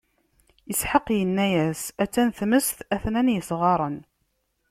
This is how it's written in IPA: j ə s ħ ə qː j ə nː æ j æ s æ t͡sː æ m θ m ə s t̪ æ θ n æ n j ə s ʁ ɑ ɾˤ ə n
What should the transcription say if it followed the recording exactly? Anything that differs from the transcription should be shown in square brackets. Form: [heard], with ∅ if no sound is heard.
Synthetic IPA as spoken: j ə s ħ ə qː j ə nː æ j æ s æ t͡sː æ [n] θ m ə s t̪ æ θ n æ n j ə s ʁ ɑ ɾˤ ə n